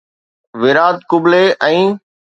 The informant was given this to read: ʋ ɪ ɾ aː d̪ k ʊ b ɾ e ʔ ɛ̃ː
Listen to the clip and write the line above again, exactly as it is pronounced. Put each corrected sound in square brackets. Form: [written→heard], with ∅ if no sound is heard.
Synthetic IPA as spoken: ʋ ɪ ɾ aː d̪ k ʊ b [ɾ→l] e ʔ ɛ̃ː